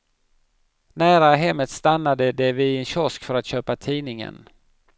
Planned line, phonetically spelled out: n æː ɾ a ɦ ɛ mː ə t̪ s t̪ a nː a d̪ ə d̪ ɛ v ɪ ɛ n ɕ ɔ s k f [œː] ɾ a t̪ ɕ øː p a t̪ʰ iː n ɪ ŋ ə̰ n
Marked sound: incorrect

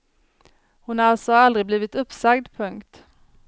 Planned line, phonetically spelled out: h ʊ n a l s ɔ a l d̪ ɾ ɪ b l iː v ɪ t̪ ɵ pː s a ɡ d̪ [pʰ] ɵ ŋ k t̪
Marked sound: correct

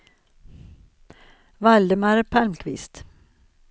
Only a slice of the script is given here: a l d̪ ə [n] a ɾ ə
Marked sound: incorrect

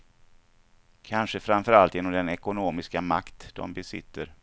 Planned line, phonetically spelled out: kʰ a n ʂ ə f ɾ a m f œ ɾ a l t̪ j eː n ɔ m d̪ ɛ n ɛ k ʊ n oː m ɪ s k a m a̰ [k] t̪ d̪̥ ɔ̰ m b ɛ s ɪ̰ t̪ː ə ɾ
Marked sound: correct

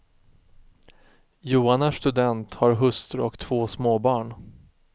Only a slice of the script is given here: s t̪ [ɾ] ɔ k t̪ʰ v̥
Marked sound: correct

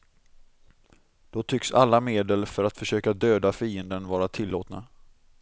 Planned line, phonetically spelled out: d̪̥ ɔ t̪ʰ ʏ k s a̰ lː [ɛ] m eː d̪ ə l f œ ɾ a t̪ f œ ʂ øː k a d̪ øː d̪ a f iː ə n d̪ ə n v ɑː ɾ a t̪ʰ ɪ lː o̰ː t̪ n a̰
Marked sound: incorrect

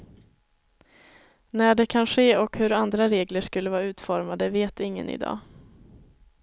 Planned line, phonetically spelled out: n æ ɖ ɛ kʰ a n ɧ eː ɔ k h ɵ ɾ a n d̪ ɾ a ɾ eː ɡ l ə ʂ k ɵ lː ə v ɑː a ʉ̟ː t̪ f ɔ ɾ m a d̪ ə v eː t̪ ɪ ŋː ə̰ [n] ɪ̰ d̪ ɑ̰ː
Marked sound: correct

